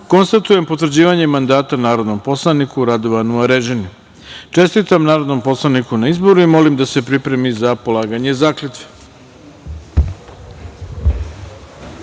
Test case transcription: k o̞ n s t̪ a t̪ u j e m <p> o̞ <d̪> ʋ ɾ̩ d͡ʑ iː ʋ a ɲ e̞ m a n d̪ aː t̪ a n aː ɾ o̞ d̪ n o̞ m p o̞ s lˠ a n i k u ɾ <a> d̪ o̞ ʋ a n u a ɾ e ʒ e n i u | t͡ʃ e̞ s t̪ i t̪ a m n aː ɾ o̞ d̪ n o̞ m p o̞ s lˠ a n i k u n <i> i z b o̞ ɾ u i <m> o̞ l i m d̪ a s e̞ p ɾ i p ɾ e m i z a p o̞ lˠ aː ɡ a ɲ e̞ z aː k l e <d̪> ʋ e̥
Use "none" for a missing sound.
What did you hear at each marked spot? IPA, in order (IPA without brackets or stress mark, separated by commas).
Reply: p, t̪, a, a, m, t̪